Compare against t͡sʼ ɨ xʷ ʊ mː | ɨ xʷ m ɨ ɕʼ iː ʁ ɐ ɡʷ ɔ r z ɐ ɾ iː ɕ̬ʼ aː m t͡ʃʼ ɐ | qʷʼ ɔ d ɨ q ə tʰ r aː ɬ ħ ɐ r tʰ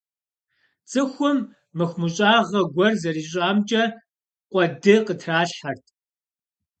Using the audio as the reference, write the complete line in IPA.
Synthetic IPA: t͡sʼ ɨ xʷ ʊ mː | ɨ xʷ m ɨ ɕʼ aː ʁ ɐ ɡʷ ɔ r z ɐ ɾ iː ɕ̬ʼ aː m t͡ʃʼ ɐ | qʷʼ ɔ d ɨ q ə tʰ r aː ɬ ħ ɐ r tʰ